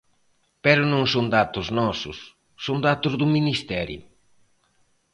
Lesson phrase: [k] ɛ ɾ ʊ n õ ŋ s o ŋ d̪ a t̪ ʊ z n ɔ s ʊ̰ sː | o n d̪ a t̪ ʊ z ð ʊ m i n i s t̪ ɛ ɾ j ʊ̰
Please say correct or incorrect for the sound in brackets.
incorrect